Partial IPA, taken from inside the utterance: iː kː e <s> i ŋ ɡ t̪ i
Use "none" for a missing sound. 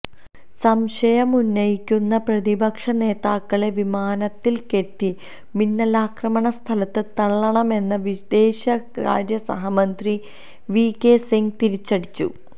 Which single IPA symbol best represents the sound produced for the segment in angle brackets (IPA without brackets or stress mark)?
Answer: s